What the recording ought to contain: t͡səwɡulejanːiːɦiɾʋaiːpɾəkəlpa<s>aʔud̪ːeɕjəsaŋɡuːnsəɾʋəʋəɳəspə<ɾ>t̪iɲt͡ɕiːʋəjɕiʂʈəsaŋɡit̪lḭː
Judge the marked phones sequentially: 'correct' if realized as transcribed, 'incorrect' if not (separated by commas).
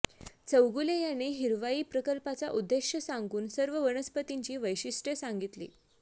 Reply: incorrect, incorrect